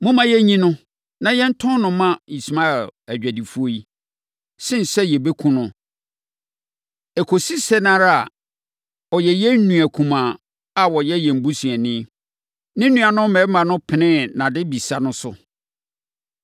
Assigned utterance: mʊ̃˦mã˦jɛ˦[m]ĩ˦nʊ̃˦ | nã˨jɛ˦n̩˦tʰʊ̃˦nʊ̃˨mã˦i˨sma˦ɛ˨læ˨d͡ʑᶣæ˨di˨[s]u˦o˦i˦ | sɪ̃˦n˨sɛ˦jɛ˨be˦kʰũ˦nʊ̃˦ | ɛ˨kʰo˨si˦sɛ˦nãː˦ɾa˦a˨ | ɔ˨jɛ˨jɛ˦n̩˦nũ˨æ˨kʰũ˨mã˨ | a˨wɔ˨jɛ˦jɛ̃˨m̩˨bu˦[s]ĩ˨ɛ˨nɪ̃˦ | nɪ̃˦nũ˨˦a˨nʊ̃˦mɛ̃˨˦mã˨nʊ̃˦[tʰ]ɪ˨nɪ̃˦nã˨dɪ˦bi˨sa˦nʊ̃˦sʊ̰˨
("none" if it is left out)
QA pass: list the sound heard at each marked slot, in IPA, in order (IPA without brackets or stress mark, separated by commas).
ɲ, f, s, pʰ